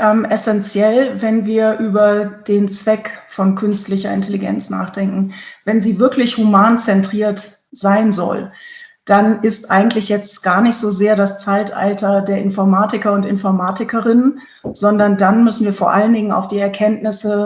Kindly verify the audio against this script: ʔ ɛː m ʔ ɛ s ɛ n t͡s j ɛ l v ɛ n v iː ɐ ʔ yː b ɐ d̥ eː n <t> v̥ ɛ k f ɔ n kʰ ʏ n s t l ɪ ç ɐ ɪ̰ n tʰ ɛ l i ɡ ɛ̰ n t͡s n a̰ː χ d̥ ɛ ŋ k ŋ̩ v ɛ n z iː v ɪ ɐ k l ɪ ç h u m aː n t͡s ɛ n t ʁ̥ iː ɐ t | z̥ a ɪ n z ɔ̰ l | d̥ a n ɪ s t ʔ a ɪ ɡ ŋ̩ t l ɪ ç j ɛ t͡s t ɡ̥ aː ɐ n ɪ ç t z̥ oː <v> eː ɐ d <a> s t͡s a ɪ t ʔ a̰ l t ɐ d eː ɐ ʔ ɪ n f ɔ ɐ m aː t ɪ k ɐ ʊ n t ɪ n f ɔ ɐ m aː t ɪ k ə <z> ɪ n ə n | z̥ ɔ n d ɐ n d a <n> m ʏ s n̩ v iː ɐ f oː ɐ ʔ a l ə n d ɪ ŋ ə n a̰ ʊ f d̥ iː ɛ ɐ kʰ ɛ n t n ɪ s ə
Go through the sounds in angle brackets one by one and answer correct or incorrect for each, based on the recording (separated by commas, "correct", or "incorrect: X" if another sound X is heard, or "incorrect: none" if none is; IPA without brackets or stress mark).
incorrect: t͡s, incorrect: z, correct, incorrect: ʁ, correct